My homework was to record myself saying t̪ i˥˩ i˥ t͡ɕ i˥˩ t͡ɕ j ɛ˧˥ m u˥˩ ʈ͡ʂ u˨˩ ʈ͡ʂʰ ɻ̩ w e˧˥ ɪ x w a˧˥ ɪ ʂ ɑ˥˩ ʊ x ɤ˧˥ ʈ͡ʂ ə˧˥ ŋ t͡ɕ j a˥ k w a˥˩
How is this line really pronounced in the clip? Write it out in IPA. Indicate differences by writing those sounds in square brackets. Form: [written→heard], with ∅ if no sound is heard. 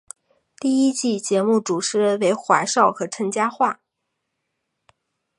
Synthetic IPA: t̪ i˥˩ i˥ t͡ɕ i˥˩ t͡ɕ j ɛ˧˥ m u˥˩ ʈ͡ʂ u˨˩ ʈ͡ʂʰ ɻ̩ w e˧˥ ɪ x w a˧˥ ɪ ʂ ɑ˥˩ ʊ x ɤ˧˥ [ʈ͡ʂ→ʈ͡ʂʰ] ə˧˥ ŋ t͡ɕ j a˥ [k→x] w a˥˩